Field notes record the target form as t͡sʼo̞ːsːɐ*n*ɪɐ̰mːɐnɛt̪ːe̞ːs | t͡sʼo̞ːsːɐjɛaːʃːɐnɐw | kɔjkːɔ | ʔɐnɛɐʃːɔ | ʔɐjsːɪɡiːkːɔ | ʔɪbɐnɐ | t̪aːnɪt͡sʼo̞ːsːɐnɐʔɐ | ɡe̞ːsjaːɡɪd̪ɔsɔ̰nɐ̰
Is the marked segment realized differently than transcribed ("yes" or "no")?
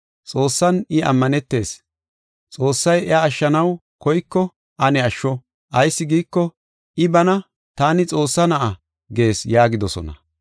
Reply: no